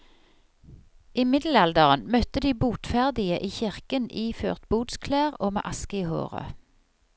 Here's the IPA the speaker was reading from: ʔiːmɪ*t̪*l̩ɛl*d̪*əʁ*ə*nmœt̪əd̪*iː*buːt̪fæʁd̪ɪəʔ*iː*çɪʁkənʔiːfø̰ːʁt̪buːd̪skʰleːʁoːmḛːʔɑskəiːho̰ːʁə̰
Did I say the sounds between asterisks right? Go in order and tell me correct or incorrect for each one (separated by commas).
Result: incorrect, correct, correct, correct, correct